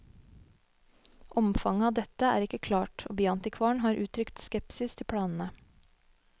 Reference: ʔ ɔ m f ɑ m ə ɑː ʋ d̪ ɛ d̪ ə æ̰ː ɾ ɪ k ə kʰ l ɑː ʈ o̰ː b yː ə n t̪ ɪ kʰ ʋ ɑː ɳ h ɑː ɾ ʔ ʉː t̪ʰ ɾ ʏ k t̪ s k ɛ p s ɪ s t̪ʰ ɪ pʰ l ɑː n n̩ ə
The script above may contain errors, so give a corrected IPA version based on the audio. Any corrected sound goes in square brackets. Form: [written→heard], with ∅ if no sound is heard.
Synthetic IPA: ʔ ɔ m f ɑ [m→ŋ] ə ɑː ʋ d̪ ɛ [d̪→t̪] ə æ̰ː ɾ ɪ k ə kʰ l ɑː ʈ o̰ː b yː [ə→ɑ] n t̪ ɪ kʰ ʋ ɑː ɳ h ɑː ɾ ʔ ʉː t̪ʰ ɾ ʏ k t̪ s k ɛ p s ɪ s t̪ʰ ɪ pʰ [l→ɽ] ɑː n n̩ ə